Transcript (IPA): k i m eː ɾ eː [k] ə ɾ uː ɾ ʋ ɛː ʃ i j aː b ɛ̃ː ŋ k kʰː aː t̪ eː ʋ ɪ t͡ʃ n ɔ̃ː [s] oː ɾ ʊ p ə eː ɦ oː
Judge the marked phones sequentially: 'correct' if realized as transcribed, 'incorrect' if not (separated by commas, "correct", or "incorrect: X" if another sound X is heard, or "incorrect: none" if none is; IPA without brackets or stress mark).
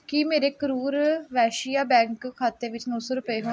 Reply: correct, correct